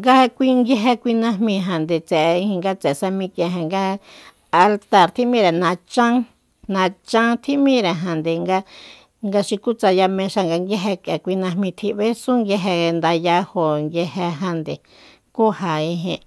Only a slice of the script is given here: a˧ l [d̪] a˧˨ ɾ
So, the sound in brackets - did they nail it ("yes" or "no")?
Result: no